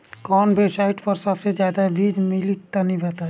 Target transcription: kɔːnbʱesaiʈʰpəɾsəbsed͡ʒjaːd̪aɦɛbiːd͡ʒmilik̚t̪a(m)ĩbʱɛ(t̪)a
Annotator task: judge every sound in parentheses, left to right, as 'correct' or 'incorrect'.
incorrect: n, correct

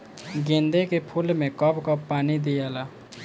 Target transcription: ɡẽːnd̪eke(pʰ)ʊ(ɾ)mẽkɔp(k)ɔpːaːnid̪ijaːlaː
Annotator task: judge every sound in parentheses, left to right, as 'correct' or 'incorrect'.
correct, incorrect: l, correct

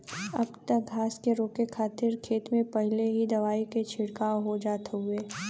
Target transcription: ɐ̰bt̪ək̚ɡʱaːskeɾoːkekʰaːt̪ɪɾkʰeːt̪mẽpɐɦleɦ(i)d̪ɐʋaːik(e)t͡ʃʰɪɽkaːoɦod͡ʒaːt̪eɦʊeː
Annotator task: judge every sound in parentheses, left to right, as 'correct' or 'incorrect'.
correct, correct

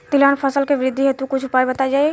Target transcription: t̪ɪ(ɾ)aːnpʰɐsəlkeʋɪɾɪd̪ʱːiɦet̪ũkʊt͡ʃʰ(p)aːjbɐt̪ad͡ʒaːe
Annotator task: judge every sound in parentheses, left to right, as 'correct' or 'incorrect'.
incorrect: l, correct

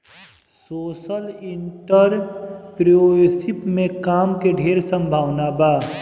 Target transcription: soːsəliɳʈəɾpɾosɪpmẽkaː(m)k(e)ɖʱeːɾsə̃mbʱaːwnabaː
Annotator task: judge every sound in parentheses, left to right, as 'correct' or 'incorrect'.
correct, correct

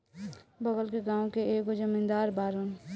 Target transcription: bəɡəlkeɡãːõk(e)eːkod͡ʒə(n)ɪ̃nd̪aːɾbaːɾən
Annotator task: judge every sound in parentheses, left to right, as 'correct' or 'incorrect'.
correct, incorrect: m

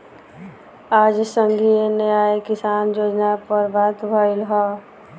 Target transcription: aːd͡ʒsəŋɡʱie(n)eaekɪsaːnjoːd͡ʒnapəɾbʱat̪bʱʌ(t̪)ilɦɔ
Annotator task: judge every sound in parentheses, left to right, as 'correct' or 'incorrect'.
correct, incorrect: none

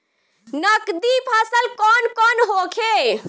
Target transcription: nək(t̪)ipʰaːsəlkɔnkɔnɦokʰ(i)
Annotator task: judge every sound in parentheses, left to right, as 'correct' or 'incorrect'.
incorrect: d̪, incorrect: e

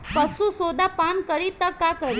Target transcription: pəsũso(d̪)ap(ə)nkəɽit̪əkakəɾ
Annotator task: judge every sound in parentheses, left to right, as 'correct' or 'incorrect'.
correct, incorrect: a

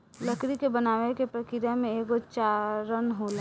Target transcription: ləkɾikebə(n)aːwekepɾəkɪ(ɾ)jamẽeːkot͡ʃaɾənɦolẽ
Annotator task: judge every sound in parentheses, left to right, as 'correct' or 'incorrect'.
correct, correct

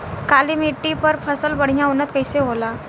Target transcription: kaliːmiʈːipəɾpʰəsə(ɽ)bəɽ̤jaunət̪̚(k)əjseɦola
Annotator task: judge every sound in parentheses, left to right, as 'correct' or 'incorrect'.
incorrect: l, correct

